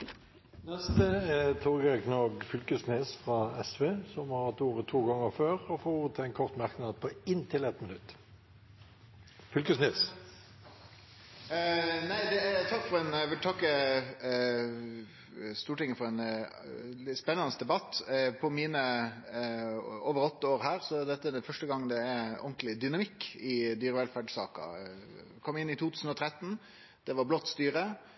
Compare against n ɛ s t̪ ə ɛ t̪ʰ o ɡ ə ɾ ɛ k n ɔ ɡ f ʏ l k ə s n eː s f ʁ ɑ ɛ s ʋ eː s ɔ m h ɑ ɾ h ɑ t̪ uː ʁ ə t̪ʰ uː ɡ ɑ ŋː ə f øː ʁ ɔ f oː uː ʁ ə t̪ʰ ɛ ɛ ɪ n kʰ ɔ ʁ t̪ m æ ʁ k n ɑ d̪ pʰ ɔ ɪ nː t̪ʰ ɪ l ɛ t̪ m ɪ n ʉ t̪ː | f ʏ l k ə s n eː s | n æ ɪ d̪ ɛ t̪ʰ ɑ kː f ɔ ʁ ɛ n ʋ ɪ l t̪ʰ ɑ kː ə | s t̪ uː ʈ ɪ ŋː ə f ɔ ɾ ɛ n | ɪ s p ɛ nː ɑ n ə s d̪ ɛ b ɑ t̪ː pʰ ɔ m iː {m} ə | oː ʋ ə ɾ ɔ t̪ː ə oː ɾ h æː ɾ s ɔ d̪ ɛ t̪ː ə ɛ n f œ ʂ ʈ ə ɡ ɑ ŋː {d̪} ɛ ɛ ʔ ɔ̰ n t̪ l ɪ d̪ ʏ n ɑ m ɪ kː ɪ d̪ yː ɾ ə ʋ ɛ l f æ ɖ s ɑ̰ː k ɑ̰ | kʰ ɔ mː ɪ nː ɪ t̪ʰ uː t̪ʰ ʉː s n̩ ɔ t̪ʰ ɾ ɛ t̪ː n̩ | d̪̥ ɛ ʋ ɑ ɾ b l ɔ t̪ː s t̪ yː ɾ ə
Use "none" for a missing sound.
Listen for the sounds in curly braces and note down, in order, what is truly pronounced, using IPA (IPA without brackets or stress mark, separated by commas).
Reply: n, d̪